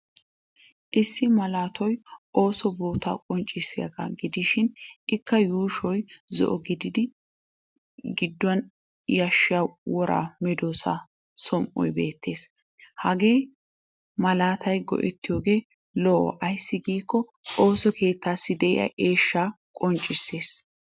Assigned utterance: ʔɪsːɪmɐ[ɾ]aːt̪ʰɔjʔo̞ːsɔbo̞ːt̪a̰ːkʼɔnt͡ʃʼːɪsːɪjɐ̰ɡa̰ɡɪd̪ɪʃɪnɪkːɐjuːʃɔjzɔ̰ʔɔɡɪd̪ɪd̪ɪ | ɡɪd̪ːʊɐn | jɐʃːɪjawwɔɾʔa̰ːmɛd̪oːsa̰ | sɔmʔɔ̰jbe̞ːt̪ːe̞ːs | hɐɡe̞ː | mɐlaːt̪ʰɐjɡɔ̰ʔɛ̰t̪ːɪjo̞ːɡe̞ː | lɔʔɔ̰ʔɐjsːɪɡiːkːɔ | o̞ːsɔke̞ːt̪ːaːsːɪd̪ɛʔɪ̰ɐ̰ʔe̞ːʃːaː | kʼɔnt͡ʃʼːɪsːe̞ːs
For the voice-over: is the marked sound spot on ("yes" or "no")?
no